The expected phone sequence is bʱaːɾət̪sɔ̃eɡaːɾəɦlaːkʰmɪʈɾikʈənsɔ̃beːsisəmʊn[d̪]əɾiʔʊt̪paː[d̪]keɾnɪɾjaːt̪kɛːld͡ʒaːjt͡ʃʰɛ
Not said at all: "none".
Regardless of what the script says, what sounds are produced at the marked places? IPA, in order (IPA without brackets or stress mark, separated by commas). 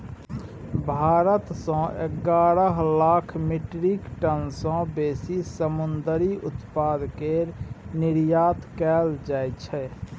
d̪, d̪